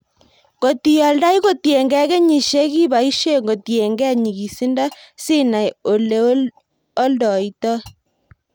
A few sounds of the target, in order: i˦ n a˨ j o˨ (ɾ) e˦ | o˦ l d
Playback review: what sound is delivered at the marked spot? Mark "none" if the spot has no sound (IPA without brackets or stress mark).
l